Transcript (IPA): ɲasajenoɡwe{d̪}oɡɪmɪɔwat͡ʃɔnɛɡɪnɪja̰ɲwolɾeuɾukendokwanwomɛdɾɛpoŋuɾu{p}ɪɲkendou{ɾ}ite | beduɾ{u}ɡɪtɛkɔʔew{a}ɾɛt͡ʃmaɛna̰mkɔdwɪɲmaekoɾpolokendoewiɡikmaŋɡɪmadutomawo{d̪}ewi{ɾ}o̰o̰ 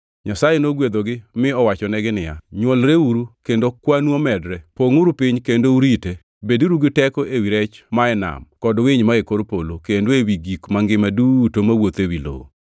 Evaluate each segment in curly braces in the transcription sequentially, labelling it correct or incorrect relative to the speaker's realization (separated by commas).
correct, correct, correct, correct, incorrect, incorrect, incorrect